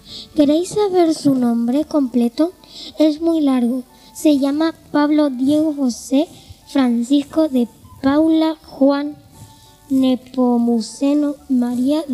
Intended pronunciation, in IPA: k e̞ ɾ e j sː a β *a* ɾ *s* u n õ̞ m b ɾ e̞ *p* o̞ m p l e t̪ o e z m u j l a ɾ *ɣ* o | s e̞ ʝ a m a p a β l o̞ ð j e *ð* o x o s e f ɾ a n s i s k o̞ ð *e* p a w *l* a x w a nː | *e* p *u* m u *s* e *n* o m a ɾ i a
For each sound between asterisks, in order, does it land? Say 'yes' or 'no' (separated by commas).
no, yes, no, yes, no, yes, yes, yes, no, yes, yes